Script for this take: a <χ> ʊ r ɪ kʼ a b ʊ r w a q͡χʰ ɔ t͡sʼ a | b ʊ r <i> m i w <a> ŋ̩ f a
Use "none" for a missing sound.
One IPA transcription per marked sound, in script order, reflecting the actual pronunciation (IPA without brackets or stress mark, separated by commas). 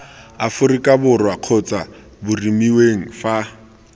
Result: f, i, e